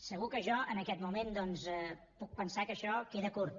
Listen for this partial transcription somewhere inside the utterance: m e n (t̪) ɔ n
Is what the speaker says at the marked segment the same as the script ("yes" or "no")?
no